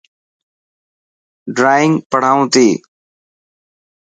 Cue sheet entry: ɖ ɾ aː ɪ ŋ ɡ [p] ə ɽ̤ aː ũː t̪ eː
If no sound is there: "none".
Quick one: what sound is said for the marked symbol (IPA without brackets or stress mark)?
p